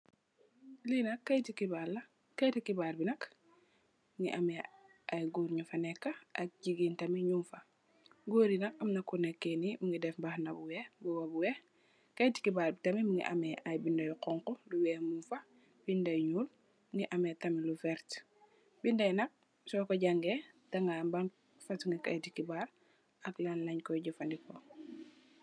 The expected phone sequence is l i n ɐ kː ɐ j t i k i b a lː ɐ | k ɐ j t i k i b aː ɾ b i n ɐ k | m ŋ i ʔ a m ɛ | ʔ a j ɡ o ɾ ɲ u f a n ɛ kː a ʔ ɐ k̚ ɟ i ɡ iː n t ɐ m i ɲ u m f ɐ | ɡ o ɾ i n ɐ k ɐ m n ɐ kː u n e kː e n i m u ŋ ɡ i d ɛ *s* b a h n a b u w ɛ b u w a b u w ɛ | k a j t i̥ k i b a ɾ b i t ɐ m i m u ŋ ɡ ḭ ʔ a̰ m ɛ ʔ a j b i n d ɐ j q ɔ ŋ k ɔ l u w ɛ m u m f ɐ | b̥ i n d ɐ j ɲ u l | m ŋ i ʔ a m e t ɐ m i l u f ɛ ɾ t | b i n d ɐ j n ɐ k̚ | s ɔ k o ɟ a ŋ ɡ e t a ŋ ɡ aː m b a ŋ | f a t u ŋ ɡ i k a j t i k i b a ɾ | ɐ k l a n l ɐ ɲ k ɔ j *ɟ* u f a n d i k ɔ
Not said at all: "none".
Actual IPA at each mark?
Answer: f, ɟ

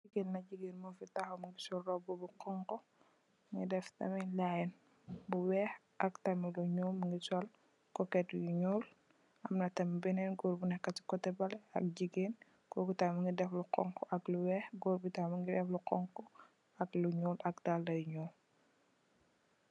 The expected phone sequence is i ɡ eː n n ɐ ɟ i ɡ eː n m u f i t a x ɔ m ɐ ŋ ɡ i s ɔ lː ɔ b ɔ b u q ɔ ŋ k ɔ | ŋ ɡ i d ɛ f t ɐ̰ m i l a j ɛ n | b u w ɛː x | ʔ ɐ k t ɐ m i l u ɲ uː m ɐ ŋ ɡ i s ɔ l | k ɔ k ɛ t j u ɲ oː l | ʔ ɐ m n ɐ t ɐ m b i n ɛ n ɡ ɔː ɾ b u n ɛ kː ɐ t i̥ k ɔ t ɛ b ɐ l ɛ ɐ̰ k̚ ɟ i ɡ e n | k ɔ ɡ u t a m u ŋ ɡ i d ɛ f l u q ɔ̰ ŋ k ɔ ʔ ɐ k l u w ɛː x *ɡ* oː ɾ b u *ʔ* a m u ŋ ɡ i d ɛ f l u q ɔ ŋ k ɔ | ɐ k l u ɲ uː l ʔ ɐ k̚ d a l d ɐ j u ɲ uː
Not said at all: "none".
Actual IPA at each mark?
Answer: ɡ, t

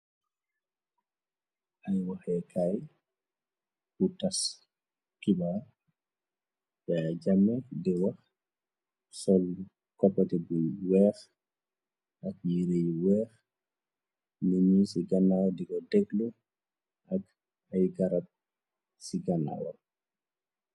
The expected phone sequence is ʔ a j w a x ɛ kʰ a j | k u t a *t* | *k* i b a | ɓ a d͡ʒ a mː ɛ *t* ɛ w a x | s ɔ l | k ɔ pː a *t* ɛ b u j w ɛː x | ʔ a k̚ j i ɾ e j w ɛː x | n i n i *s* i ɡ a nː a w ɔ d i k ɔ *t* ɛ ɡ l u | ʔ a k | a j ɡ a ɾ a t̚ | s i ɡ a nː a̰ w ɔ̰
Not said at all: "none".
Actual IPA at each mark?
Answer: s, k, d, t, s, d

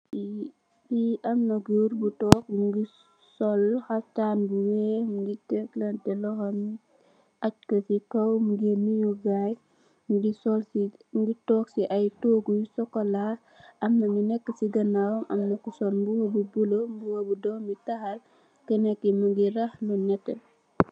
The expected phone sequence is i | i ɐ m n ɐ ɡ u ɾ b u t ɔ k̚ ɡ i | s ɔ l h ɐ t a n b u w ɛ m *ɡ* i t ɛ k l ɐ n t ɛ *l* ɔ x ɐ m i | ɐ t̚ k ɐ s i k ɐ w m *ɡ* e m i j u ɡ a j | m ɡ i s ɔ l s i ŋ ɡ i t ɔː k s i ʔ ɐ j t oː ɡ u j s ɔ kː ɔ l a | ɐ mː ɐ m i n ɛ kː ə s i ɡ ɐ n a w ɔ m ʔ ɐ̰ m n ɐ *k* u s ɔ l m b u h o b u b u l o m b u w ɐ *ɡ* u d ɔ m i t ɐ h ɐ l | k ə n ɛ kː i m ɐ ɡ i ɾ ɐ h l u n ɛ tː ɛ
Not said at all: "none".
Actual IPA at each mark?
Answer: ɡ, l, ɡ, k, b

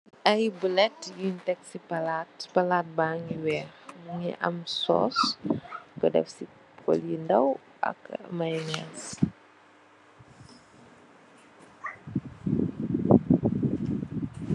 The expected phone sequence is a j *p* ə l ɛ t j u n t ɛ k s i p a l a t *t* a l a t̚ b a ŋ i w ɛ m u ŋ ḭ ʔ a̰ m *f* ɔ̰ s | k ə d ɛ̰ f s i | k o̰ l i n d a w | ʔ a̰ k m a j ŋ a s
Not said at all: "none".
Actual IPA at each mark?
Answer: b, p, s

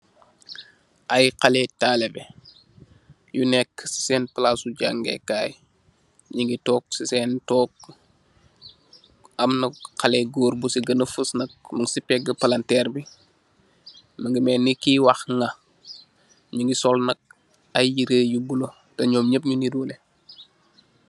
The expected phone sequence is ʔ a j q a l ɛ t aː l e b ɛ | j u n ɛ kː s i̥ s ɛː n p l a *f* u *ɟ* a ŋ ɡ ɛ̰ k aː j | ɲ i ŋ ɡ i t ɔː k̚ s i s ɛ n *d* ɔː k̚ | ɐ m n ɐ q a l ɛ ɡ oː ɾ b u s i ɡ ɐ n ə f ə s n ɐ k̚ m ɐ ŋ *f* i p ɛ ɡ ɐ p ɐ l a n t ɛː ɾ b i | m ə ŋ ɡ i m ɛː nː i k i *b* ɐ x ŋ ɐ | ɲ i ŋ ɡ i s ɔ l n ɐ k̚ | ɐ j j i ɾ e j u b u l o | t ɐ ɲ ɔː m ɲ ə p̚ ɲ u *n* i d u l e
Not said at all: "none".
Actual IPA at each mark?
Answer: s, ɟ, t, s, w, n

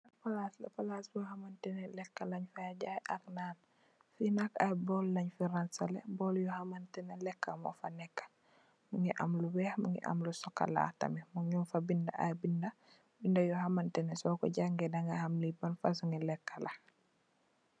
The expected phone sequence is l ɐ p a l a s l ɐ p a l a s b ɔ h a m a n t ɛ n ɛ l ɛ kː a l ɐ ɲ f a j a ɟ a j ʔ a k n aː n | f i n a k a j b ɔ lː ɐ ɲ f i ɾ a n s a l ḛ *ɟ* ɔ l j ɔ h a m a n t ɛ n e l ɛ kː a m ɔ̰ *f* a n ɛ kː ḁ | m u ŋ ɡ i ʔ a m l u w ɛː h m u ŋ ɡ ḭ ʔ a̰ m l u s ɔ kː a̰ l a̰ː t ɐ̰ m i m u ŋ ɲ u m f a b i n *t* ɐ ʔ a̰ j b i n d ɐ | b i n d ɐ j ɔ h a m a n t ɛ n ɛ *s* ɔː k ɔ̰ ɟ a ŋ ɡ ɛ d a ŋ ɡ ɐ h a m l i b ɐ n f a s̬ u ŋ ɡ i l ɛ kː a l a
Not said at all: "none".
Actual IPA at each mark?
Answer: b, f, d, s

